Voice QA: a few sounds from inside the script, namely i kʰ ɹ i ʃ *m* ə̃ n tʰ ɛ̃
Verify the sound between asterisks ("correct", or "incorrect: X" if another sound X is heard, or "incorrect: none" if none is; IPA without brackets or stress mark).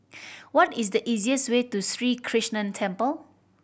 incorrect: n